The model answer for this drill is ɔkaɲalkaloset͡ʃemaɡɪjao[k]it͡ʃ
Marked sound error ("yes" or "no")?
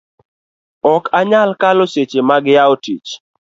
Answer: yes